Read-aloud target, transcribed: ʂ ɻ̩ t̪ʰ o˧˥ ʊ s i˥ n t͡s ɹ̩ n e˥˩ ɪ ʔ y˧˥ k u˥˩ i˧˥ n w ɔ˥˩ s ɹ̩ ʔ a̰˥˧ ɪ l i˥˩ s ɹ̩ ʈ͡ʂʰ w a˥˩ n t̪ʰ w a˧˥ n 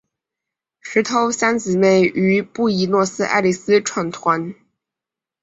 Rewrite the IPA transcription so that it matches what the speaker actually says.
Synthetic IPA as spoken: ʂ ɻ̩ t̪ʰ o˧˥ ʊ s a˥ n t͡s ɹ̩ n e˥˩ ɪ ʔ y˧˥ p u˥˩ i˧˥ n w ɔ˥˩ s ɹ̩ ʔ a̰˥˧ ɪ l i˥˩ s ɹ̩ ʈ͡ʂʰ w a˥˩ n t̪ʰ w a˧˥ n